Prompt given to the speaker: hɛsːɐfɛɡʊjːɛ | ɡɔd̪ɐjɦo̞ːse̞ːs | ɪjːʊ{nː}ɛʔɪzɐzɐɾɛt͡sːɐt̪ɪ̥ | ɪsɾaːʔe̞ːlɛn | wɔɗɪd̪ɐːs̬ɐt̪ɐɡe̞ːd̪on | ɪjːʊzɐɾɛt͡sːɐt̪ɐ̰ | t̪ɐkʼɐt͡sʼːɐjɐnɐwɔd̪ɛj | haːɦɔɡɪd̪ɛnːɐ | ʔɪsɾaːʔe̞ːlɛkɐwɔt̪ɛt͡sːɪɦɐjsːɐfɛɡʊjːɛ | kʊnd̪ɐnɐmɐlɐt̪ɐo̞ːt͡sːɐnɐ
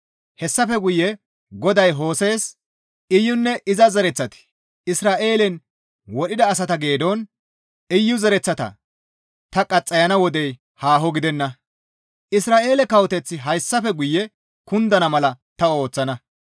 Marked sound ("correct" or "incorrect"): correct